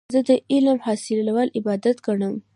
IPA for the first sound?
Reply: z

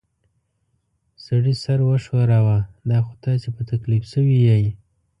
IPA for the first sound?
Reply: s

